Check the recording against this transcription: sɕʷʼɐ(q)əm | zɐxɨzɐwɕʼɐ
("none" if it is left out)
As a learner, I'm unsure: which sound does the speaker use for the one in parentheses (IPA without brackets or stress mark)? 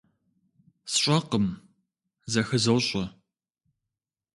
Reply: q